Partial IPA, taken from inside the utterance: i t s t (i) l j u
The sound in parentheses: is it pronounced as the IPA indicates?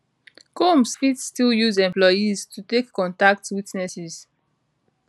yes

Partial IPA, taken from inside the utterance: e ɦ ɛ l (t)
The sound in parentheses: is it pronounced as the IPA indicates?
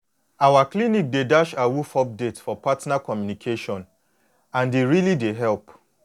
no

